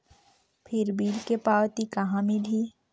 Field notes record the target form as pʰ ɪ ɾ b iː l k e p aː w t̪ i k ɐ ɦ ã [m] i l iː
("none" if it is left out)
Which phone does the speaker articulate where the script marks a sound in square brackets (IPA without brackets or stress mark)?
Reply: m